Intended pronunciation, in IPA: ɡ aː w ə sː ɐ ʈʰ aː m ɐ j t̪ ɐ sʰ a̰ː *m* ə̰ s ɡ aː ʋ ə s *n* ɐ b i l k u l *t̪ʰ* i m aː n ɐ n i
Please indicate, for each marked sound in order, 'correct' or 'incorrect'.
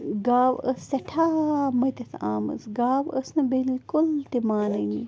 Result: correct, correct, incorrect

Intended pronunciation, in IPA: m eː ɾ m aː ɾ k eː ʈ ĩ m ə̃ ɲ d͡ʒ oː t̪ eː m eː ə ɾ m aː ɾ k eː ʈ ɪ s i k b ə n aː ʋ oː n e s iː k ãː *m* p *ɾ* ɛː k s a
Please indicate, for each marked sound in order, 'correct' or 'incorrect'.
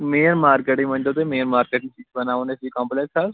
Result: correct, incorrect

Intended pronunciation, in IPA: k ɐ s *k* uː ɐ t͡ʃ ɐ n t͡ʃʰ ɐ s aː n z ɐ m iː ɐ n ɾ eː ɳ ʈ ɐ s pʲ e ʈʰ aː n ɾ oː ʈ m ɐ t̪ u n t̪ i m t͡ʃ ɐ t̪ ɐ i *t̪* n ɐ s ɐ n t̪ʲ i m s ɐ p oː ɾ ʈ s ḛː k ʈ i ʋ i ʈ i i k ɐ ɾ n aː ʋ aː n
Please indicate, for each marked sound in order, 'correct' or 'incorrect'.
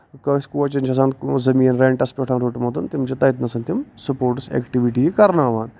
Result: correct, correct

